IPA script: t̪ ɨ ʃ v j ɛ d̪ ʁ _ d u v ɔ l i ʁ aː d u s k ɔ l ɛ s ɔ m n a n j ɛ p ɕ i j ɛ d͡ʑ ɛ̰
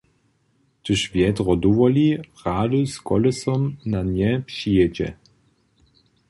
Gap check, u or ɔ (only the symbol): ɔ